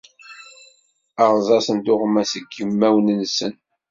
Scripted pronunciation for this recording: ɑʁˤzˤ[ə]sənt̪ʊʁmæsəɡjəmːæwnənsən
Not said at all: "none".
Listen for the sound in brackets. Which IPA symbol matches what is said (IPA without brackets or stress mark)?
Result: ɑ